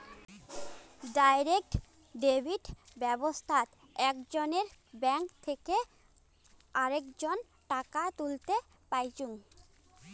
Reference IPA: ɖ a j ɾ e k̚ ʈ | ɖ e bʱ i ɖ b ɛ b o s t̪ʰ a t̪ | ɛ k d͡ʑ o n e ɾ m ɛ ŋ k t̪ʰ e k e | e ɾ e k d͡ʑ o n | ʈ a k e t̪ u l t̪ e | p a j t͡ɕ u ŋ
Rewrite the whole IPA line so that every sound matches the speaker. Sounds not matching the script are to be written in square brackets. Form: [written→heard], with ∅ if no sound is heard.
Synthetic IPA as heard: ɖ a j ɾ e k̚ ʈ | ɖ e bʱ i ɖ b ɛ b o s t̪ʰ a t̪ | ɛ k d͡ʑ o n e ɾ [m→b] ɛ ŋ k t̪ʰ e k e | [e→a] ɾ e k d͡ʑ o n | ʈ a k [e→a] t̪ u l t̪ e | p a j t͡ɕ u ŋ